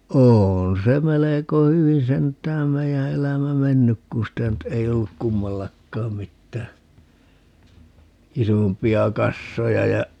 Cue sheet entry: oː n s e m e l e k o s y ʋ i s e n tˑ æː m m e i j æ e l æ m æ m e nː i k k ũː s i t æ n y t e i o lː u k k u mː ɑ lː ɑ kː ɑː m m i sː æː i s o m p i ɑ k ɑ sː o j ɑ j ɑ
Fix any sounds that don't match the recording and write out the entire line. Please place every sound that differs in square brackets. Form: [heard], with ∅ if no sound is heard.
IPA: oː n s e m e l e k o [h] y ʋ i s e n tˑ æː m m e i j æ e l æ m æ m e nː [y] k k ũː s i t æ n y t e i o lː u k k u mː ɑ lː ɑ kː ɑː m m i [tː] æː i s o m p i ɑ k ɑ sː o j ɑ j ɑ